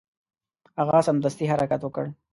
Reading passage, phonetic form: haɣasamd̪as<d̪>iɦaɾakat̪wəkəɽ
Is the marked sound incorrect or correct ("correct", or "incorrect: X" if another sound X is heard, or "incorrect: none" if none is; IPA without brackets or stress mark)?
incorrect: t̪